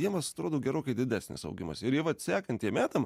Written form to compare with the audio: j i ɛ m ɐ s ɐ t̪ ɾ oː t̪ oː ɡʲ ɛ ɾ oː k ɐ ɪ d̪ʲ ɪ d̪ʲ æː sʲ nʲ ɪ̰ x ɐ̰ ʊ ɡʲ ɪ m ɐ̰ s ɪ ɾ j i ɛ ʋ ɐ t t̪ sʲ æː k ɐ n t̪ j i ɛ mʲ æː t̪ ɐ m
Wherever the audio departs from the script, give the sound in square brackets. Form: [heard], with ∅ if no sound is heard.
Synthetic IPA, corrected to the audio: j i ɛ m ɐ s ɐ t̪ ɾ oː [d̪] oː ɡʲ ɛ ɾ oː k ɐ ɪ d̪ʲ ɪ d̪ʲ æː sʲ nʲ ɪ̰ [s] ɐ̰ ʊ ɡʲ ɪ m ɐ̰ s ɪ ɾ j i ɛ ʋ ɐ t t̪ sʲ æː k ɐ n t̪ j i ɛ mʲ æː t̪ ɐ m